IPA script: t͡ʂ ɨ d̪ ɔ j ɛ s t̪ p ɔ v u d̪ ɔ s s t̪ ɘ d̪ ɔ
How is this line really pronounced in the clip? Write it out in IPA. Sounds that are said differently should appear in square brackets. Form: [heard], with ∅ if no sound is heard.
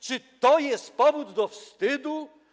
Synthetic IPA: t͡ʂ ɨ [t̪] ɔ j ɛ s t̪ p ɔ v u [d̪ː] ɔ [f] s t̪ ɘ d̪ [u]

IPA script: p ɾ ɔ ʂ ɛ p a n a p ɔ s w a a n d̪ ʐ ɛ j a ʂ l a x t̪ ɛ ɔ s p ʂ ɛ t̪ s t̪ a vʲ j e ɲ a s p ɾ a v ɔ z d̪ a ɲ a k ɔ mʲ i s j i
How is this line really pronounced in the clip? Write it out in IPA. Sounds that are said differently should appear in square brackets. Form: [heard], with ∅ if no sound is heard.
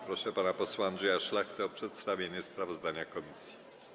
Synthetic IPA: p ɾ ɔ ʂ ɛ p a n a p ɔ s w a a n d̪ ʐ ɛ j a ʂ l a x t̪ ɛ ɔ [∅] p ʂ ɛ t̪ s t̪ a vʲ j e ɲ [ɛ] s p ɾ a v ɔ z d̪ a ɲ a k ɔ mʲ i s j i

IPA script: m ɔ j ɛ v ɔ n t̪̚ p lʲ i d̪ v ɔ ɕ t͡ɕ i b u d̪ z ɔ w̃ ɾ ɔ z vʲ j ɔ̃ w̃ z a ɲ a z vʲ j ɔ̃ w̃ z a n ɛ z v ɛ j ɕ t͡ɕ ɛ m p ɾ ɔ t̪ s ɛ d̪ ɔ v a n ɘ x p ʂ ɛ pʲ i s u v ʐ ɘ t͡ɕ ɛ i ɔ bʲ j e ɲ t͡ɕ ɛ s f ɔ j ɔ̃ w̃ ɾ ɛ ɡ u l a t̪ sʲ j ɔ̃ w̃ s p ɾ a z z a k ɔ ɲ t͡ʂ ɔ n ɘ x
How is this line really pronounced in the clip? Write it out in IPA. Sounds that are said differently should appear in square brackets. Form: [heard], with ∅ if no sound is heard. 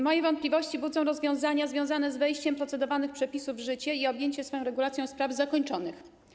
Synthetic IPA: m ɔ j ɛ v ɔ n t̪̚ p lʲ i [∅] v ɔ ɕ t͡ɕ i b u d̪ z ɔ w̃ ɾ ɔ z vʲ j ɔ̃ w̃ z a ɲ a z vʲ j ɔ̃ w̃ z a n ɛ z v ɛ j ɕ t͡ɕ ɛ m p ɾ ɔ t̪ s ɛ d̪ ɔ v a n ɘ x p ʂ ɛ pʲ i s u v ʐ ɘ t͡ɕ ɛ i ɔ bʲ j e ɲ t͡ɕ ɛ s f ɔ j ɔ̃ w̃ ɾ ɛ ɡ u l a t̪ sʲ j ɔ̃ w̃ s p ɾ a [v] z a k ɔ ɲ t͡ʂ ɔ n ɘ x

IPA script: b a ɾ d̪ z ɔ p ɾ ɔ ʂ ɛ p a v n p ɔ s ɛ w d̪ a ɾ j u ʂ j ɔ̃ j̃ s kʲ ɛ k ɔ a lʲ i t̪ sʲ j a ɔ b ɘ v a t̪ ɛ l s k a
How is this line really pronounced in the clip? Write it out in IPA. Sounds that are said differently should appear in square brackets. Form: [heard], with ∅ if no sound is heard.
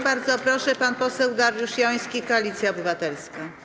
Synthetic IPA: b a ɾ d̪ z ɔ p ɾ ɔ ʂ ɛ p a [∅] n p ɔ s ɛ w d̪ a ɾ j u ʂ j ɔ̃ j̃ s kʲ [i] k ɔ a lʲ i t̪ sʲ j a ɔ b ɘ v a t̪ ɛ l s k a

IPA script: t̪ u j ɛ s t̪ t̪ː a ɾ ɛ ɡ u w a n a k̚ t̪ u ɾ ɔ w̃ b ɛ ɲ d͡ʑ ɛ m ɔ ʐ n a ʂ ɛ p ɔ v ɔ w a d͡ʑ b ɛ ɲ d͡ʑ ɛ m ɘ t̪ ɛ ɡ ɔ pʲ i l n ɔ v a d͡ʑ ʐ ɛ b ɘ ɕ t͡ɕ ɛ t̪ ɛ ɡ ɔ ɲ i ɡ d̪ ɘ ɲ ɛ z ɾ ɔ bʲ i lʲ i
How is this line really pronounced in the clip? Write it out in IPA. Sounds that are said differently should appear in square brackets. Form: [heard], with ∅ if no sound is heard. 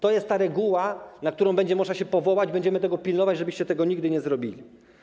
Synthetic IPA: t̪ [ɔ] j ɛ s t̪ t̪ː a ɾ ɛ ɡ u w a n a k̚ t̪ u ɾ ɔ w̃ b ɛ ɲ d͡ʑ ɛ m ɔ ʐ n a [ɕ] ɛ p ɔ v ɔ w a d͡ʑ b ɛ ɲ d͡ʑ ɛ m ɘ t̪ ɛ ɡ ɔ pʲ i l n ɔ v a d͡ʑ ʐ ɛ b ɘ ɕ t͡ɕ ɛ t̪ ɛ ɡ ɔ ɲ i ɡ d̪ ɘ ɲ ɛ z ɾ ɔ bʲ i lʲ i

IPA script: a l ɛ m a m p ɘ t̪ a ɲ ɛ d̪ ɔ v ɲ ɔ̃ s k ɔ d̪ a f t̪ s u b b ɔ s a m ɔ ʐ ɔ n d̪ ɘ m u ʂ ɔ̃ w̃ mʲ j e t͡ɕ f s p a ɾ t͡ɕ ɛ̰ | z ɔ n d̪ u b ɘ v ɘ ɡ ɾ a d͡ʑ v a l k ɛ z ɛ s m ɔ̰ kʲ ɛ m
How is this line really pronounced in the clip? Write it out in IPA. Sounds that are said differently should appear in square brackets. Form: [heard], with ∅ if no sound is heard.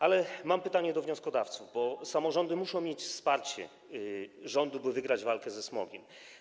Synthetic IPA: a l ɛ m a m p ɘ t̪ a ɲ ɛ d̪ ɔ v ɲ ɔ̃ s k ɔ d̪ a f t̪ s u [v] b ɔ s a m ɔ ʐ ɔ n d̪ ɘ m u ʂ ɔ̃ w̃ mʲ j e t͡ɕ f s p a ɾ t͡ɕ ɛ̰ | [ʐ] ɔ n d̪ u b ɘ v ɘ ɡ ɾ a d͡ʑ v a l k ɛ z ɛ s m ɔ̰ [ɡʲ] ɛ m

